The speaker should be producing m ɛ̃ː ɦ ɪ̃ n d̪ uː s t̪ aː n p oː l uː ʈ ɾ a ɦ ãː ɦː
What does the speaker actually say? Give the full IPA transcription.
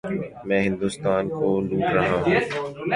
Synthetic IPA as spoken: m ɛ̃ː ɦ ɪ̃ n d̪ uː s t̪ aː n k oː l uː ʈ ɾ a ɦ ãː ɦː